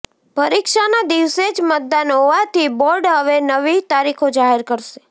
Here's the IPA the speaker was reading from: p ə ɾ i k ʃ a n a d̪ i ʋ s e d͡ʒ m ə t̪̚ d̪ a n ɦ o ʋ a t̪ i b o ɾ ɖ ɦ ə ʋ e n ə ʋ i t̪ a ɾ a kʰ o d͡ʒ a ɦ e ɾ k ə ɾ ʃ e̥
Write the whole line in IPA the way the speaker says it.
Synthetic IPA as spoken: p ə ɾ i k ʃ a n a d̪ i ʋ s e d͡ʒ m ə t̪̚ d̪ a n ɦ o ʋ a t̪ i b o ɾ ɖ ɦ ə ʋ e n ə ʋ i t̪ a ɾ i kʰ o d͡ʒ a ɦ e ɾ k ə ɾ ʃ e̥